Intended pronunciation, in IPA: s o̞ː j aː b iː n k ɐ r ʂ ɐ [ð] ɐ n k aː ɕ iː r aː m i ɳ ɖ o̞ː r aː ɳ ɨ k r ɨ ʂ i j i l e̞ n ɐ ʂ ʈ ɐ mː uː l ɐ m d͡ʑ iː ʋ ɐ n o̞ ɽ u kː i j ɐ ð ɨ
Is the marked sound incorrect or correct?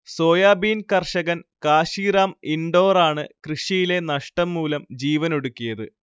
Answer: incorrect